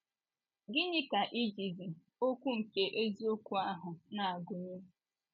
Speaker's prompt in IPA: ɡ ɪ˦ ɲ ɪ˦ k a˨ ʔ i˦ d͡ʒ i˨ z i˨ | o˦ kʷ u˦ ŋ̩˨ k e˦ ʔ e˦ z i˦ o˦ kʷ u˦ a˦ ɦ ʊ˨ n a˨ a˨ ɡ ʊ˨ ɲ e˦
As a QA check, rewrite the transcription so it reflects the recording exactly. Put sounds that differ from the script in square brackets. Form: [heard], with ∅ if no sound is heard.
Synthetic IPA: ɡ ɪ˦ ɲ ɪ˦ k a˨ ʔ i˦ d͡ʒ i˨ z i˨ | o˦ kʷ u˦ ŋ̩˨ k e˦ ʔ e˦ z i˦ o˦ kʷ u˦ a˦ ɦ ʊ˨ n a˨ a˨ ɡ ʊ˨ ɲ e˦